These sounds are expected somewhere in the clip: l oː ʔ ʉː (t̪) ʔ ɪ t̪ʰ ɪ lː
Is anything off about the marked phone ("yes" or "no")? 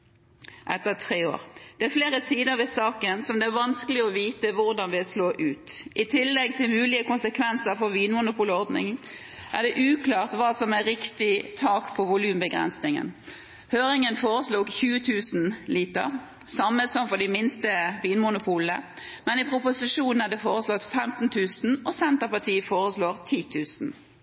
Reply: no